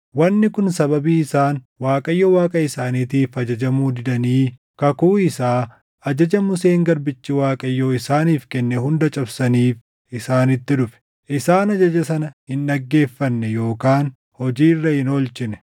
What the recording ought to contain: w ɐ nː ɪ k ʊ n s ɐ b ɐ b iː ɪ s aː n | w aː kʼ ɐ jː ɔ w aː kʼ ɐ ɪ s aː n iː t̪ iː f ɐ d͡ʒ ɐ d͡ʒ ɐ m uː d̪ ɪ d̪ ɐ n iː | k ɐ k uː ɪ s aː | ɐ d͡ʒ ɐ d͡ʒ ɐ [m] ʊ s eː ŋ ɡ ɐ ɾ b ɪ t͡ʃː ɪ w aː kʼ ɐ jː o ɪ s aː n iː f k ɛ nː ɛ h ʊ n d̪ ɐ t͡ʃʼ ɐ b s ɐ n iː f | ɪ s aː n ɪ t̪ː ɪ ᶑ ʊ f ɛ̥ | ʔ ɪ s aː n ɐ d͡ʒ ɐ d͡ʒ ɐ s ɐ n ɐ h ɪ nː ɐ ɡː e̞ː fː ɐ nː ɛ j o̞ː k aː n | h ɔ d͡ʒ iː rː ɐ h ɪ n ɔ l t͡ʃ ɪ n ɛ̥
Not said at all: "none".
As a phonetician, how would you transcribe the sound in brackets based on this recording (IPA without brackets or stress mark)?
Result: m